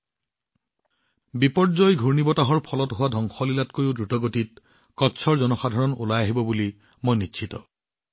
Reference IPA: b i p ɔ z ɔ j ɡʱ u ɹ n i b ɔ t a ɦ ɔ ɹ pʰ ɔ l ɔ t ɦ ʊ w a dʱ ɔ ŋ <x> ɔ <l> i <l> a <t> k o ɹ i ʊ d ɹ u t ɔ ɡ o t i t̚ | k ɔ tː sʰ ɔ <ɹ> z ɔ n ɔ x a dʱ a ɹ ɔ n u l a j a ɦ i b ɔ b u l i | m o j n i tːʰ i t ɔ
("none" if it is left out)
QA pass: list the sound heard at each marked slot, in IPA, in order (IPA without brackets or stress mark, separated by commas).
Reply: x, l, l, t, ɹ